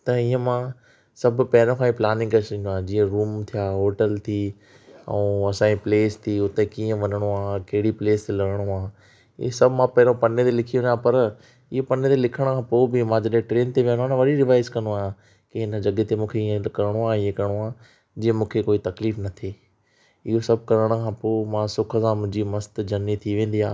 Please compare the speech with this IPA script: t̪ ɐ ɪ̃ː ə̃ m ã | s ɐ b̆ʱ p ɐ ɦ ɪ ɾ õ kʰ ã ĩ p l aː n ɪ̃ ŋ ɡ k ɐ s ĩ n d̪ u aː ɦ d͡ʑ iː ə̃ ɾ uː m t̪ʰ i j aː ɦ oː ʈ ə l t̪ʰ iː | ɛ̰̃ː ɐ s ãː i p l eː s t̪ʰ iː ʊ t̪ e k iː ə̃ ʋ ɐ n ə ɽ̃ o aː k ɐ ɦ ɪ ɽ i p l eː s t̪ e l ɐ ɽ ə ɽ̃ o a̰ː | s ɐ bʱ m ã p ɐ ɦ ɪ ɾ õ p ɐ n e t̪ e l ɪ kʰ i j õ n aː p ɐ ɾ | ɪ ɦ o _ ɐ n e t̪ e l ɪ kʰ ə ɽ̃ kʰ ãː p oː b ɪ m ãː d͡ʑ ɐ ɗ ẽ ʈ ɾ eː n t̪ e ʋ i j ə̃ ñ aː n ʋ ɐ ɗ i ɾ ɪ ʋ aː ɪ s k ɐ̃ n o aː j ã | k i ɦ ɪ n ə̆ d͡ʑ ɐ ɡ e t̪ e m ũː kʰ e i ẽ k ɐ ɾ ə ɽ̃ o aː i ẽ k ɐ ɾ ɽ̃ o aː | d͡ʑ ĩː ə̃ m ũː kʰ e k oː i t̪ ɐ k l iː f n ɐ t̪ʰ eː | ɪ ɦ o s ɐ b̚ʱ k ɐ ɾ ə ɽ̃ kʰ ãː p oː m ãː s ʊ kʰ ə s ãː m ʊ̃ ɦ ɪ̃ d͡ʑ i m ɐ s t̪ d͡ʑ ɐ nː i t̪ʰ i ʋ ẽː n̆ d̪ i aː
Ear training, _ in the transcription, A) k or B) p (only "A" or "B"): B